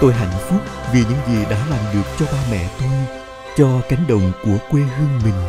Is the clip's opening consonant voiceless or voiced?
voiceless